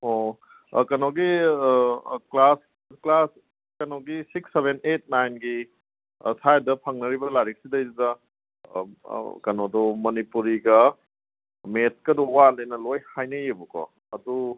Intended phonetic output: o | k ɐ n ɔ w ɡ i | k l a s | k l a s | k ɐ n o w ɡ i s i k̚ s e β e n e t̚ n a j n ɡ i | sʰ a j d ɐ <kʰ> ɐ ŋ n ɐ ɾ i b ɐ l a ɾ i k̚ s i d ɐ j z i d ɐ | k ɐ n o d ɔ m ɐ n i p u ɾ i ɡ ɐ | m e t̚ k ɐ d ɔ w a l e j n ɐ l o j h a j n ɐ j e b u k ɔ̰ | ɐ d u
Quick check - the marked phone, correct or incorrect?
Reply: incorrect